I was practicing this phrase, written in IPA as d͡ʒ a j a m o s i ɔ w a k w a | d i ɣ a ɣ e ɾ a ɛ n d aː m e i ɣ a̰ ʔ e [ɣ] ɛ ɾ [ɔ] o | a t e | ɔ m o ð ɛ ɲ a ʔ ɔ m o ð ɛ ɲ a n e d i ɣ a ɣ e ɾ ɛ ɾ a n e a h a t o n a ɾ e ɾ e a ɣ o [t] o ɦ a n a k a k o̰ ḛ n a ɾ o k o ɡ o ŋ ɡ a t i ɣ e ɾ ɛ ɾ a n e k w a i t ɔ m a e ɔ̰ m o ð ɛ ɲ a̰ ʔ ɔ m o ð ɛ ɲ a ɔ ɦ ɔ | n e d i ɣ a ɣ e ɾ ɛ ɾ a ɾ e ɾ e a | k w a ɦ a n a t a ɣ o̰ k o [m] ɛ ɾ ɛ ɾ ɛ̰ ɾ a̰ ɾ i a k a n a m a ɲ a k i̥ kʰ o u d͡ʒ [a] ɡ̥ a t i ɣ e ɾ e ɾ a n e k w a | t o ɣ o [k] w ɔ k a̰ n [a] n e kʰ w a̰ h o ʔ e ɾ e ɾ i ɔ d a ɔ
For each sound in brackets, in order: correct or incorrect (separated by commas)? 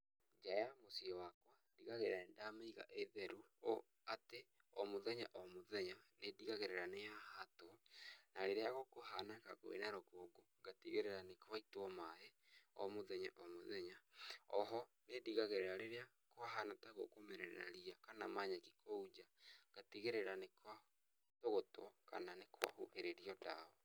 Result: incorrect, incorrect, incorrect, correct, correct, incorrect, correct